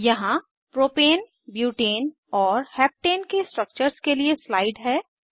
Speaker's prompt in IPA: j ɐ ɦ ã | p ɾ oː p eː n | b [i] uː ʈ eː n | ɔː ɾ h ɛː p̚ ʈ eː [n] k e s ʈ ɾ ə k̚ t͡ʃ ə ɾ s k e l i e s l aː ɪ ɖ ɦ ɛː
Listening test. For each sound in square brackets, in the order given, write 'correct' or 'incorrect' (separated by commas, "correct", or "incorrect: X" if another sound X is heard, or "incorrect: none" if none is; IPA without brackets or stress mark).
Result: incorrect: j, correct